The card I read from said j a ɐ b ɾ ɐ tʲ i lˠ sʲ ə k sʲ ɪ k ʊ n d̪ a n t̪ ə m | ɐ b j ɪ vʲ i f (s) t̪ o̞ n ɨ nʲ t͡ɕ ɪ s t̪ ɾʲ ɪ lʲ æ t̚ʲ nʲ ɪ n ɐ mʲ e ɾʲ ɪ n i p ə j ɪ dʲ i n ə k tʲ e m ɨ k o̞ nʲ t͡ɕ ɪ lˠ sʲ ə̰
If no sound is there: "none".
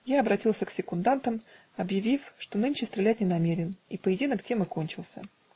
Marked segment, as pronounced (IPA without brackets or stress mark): ʂ